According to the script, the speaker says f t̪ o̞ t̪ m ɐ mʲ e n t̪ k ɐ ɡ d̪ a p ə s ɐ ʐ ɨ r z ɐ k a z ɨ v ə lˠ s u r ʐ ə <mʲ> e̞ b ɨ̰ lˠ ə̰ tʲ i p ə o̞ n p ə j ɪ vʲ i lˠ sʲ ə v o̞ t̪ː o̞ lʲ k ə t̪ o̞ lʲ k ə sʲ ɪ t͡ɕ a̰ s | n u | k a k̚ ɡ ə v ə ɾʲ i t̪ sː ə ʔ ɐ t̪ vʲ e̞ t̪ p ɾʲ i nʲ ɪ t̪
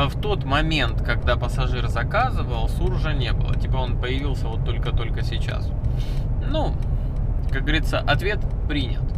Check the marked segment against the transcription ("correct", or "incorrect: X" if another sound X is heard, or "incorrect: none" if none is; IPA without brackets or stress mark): incorrect: nʲ